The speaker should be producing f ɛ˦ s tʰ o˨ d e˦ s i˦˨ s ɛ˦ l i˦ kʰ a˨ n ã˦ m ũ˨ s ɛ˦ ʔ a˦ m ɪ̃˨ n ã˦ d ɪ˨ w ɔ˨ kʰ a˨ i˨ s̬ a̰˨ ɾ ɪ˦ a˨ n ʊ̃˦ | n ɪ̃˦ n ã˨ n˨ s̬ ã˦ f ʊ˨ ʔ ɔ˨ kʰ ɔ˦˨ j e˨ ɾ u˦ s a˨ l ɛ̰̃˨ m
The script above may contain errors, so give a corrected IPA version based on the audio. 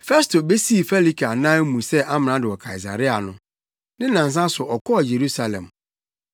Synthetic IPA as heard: f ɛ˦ s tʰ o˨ b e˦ s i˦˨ f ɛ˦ l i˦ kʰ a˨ n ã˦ m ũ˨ s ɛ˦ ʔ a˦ m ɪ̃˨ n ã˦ d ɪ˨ w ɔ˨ kʰ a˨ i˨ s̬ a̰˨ ɾ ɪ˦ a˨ n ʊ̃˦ | n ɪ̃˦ n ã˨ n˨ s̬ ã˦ s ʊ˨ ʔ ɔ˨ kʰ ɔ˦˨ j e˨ ɾ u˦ s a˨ l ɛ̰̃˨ m